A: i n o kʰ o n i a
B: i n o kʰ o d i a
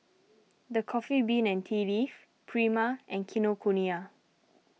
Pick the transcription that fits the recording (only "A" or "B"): A